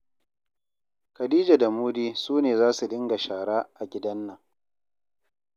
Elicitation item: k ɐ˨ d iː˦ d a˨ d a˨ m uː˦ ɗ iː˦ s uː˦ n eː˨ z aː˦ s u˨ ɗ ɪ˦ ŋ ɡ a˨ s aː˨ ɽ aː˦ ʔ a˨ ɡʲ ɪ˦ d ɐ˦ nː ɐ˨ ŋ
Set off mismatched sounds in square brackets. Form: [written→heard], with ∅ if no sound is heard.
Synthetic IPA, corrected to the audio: k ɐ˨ d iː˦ [d→d͡ʒ] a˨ d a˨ m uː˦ [ɗ→d] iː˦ s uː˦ n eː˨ z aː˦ s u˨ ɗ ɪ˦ ŋ ɡ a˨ [s→ʃ] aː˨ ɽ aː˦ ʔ a˨ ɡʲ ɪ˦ d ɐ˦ nː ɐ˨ ŋ